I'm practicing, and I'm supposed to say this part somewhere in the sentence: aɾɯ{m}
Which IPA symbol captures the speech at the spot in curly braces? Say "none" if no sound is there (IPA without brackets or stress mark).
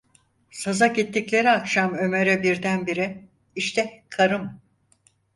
m